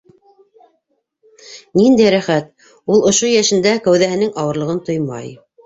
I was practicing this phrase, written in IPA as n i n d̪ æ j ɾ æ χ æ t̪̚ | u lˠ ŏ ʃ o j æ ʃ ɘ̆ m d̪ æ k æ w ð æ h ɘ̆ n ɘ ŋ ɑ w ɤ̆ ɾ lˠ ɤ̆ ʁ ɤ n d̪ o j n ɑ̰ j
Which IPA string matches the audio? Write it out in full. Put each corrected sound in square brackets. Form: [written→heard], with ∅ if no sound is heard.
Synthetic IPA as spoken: n i n d̪ æ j ɾ æ χ æ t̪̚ | u lˠ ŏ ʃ o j æ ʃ ɘ̆ [m→n] d̪ æ k æ w ð æ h ɘ̆ n ɘ ŋ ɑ w ɤ̆ ɾ lˠ ɤ̆ ʁ ɤ n [d̪→t̪] o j [n→m] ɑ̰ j